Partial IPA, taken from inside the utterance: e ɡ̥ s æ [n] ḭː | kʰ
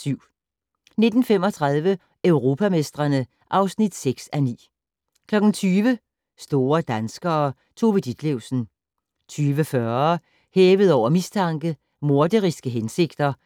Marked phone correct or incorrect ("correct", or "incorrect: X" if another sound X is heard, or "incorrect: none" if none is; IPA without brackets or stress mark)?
correct